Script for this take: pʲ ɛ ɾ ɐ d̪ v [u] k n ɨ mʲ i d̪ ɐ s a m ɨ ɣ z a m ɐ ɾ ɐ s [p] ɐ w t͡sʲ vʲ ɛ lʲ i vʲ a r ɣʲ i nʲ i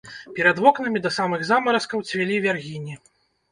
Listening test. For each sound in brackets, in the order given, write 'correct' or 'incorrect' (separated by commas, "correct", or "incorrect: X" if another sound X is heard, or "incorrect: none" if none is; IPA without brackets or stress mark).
incorrect: ɔ, incorrect: k